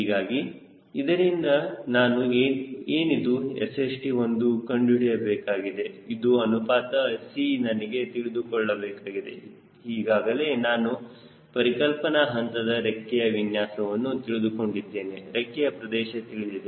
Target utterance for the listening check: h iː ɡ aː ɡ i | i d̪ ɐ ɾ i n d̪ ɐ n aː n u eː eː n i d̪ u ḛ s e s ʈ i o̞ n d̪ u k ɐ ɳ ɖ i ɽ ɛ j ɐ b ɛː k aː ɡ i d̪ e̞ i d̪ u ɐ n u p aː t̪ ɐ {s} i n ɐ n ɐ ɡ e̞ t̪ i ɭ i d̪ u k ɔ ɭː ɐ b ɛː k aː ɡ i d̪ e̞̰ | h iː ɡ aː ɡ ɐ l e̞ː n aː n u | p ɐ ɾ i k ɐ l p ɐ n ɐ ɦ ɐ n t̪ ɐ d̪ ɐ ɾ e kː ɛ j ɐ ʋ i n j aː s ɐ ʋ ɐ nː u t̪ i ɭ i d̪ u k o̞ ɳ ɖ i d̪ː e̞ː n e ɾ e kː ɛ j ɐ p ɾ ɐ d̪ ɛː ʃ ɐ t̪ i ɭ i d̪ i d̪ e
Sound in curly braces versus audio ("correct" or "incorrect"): correct